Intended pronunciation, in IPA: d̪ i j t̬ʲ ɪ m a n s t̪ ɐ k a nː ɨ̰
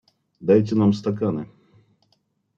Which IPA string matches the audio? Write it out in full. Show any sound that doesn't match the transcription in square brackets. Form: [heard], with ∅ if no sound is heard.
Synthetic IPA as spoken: d̪ [a] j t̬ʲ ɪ [n] a [m] s t̪ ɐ k a [n] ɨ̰